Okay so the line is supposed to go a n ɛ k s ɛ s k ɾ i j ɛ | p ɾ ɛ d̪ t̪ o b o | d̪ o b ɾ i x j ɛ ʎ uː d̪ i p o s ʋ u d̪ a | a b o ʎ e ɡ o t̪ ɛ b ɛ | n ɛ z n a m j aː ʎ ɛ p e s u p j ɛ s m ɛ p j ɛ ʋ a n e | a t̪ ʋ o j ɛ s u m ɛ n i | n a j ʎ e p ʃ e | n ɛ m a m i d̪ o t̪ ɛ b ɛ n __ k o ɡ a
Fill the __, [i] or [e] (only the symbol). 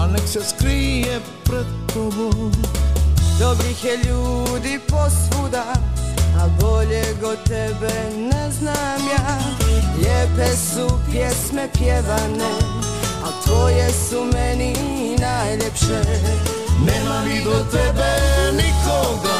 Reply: i